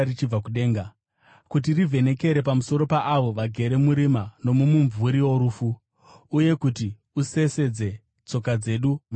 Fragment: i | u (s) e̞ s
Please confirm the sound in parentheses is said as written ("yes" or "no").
yes